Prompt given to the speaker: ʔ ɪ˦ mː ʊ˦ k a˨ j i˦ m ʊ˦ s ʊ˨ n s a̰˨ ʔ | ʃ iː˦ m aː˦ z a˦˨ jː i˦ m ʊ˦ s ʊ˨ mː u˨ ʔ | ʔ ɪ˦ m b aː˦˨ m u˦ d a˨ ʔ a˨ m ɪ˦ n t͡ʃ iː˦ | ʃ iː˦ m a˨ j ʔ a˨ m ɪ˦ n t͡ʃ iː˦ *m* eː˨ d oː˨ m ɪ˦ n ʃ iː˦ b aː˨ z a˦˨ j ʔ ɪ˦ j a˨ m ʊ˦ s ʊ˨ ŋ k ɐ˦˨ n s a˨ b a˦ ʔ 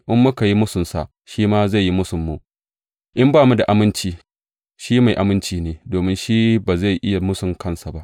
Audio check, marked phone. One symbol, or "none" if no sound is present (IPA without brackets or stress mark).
n